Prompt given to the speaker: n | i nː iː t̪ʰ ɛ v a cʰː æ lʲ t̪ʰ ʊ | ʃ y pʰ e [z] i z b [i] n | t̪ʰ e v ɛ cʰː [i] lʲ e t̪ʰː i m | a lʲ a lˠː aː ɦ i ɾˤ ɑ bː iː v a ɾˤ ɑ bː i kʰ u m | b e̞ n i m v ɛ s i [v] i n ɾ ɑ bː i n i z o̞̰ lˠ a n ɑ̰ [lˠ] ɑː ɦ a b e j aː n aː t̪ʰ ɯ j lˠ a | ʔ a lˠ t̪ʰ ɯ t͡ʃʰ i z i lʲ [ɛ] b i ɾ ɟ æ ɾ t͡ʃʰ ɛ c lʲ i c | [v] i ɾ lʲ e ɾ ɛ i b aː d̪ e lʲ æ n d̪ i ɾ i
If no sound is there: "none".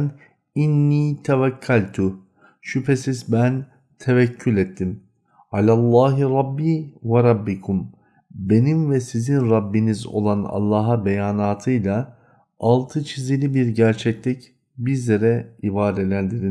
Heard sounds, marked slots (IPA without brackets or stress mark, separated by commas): s, æ, y, z, lˠː, i, b